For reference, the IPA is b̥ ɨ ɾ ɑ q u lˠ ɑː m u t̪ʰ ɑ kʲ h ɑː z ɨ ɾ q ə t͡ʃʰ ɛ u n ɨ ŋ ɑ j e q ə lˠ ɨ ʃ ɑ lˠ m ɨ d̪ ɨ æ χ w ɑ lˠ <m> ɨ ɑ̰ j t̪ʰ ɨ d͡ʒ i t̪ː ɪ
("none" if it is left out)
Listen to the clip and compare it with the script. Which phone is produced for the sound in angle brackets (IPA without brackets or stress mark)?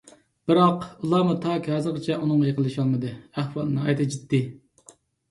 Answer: n